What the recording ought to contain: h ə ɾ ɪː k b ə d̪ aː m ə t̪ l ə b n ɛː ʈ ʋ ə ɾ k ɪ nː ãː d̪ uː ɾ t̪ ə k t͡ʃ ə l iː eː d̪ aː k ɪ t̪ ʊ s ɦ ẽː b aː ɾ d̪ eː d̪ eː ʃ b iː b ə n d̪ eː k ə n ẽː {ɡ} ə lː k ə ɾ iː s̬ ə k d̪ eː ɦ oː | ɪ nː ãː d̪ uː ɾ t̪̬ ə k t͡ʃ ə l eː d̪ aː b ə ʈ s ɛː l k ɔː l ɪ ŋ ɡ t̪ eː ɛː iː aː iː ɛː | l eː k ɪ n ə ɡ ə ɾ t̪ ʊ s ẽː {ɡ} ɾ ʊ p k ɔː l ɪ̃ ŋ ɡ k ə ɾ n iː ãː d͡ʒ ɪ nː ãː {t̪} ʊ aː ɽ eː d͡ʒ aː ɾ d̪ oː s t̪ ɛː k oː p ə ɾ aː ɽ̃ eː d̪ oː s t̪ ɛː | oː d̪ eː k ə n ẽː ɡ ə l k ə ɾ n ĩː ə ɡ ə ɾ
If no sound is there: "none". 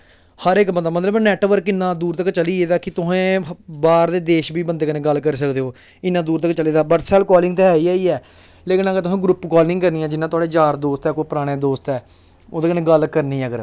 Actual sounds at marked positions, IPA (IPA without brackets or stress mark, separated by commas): ɡ, ɡ, t̪